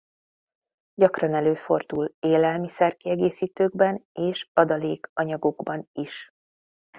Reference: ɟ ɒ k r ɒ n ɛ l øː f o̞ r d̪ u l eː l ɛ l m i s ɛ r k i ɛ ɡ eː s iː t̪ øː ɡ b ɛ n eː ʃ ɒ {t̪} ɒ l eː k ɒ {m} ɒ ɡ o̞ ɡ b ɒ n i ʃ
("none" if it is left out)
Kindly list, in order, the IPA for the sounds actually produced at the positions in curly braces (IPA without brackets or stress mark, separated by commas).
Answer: d̪, ɲ